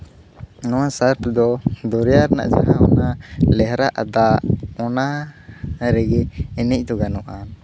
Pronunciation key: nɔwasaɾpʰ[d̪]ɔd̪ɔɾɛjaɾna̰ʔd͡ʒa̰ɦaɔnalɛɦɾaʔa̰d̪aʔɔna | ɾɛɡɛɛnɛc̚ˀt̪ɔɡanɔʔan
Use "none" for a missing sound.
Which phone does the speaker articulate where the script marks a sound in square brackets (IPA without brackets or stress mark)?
d̪